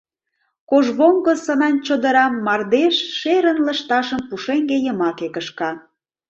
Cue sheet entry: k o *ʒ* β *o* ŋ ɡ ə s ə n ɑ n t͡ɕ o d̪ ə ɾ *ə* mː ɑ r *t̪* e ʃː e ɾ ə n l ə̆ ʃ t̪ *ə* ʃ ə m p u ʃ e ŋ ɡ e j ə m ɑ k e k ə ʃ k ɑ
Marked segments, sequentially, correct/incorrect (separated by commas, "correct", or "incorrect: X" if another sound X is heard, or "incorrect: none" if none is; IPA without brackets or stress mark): correct, correct, incorrect: ɑ, incorrect: d̪, incorrect: ɑ